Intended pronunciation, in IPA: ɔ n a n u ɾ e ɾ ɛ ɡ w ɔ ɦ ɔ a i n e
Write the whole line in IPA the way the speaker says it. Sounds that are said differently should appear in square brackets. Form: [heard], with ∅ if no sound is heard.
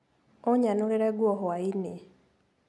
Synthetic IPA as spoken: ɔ [ɲ] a n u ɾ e ɾ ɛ ɡ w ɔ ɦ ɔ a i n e

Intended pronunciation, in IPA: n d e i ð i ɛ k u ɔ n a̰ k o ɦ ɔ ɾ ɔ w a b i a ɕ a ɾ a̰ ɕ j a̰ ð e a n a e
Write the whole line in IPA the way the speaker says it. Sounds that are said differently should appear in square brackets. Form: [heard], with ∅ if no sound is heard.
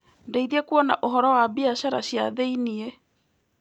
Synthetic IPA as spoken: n d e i ð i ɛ k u ɔ n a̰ [ʔ] o ɦ ɔ ɾ ɔ w a b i a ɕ a ɾ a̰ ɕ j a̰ ð e [i] n [i] e

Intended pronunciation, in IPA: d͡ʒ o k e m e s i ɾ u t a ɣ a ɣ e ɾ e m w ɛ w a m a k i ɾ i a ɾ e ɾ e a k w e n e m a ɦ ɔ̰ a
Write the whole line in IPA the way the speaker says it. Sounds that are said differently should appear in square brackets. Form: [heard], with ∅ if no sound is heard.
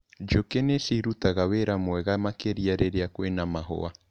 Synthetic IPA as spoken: d͡ʒ o k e [n] e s i ɾ u t a ɣ a [w] e ɾ [a] m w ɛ [ɣ] a m a k [e] ɾ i a ɾ e ɾ e a k w e n [a] m a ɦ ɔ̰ a

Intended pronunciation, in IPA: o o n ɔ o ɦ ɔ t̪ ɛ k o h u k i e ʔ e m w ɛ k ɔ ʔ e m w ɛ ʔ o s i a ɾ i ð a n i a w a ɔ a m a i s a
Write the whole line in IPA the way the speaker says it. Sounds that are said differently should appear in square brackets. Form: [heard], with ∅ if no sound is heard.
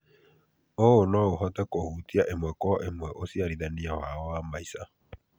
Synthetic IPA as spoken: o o n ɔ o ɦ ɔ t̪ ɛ k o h u [t] i [a] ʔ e m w ɛ k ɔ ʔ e m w ɛ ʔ o s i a ɾ i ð a n i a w a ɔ a m a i s a

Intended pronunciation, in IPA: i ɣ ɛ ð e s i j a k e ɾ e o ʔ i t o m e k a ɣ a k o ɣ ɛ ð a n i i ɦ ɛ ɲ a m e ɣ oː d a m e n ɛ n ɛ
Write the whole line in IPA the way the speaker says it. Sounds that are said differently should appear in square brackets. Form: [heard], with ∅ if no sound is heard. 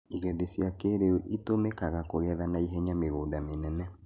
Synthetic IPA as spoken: i ɣ ɛ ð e s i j a k e ɾ e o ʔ i t o m e k a ɣ a k o ɣ ɛ ð a n [a] i ɦ ɛ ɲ a m e ɣ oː d a m e n ɛ n ɛ

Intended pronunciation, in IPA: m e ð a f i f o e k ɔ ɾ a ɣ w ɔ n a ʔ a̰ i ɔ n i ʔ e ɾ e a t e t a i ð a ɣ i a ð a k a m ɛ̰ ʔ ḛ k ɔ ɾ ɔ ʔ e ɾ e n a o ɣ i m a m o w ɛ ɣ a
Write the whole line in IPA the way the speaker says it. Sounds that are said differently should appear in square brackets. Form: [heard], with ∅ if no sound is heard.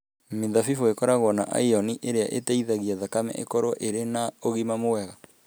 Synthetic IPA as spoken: m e ð a f i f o e k ɔ ɾ a ɣ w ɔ n a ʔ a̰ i ɔ n i ʔ e ɾ e a [ʔ] e t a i ð a ɣ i a ð a k a m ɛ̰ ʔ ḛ k ɔ ɾ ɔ ʔ e ɾ e n a o ɣ i m a m o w ɛ ɣ a

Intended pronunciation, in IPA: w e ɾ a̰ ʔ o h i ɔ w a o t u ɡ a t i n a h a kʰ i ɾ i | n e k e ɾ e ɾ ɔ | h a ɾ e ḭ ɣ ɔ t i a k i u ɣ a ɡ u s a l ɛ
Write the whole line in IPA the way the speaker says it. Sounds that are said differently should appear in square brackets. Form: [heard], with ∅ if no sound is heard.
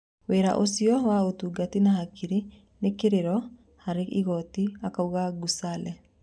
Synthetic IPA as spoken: w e ɾ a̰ ʔ o [s] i ɔ w a o t u ɡ a t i n a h a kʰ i ɾ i | n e k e ɾ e ɾ ɔ | h a ɾ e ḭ ɣ ɔ t i a k [a] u ɣ a ɡ u s a l ɛ

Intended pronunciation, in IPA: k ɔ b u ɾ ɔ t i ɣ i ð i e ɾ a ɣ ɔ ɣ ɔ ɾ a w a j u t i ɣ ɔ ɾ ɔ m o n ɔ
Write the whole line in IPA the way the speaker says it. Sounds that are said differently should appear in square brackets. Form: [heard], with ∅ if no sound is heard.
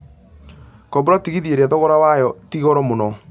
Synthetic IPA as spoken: k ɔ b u ɾ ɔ t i ɣ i ð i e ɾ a [ð] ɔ ɣ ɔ ɾ a w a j [ɔ] t i ɣ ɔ ɾ ɔ m o n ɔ

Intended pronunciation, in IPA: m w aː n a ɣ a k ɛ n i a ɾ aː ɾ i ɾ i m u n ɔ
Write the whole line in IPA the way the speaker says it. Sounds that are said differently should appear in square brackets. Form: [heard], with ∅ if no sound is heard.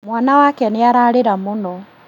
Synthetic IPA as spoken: m w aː n a [w] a k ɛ n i a ɾ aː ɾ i ɾ [a] m u n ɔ

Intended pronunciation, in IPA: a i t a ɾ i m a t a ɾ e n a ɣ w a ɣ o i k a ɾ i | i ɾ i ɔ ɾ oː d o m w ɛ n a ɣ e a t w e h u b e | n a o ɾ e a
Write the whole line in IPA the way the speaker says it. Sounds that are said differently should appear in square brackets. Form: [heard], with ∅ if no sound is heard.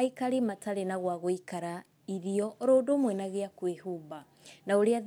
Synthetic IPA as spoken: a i [k] a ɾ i m a t a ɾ e n a ɣ w a ɣ o i k a ɾ [a] | i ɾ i ɔ ɾ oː d o m w ɛ n a ɣ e a [k] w e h u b [a] | n a o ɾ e a

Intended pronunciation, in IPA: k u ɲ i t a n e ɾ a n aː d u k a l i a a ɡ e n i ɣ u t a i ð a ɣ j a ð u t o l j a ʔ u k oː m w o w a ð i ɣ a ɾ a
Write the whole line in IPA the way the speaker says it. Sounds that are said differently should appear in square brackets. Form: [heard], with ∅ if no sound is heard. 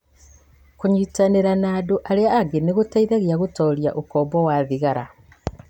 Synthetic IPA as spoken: k u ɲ i t a n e ɾ a n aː d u [ʔ] a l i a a ɡ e n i ɣ u t a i ð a ɣ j a [ɣ] u t o l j a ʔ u k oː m [b] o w a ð i ɣ a ɾ a

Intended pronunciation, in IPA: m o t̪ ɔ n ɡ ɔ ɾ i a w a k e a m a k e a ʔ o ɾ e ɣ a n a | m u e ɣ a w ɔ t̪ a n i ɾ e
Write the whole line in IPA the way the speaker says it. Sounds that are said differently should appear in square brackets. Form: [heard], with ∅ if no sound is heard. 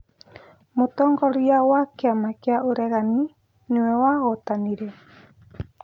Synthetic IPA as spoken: m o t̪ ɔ [ŋ] ɡ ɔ ɾ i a w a k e a m a k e a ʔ o ɾ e ɣ a n [i] | [n] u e [w] a [ɣ] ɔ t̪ a n i ɾ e

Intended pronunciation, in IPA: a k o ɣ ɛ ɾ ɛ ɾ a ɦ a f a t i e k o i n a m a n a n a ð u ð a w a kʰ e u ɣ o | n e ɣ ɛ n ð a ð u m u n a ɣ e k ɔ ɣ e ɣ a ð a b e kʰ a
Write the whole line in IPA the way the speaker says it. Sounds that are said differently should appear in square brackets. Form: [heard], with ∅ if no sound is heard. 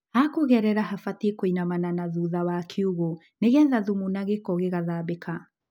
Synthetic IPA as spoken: a k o ɣ ɛ ɾ ɛ ɾ a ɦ a f a t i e k o i n a m a n a n a ð u ð a w a kʰ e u ɣ o | n e ɣ ɛ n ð a ð u m u n a ɣ e k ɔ ɣ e ɣ a ð a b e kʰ a

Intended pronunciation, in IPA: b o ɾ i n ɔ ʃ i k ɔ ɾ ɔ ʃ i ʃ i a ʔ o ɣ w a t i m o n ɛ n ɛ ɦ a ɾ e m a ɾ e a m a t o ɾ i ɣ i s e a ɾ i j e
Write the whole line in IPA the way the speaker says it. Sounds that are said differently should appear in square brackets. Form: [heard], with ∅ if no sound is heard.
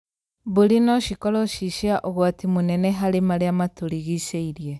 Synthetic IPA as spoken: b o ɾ i n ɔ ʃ i k ɔ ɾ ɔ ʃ i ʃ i a ʔ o ɣ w a t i m o n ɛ n ɛ ɦ a ɾ e m a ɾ e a m a t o ɾ i ɣ i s e [i] ɾ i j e

